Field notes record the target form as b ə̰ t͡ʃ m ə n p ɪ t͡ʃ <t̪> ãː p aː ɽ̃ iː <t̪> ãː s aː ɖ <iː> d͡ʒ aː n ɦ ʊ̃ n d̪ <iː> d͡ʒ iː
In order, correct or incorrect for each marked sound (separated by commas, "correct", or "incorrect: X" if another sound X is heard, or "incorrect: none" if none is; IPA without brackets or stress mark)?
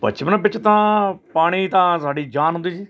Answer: correct, correct, correct, correct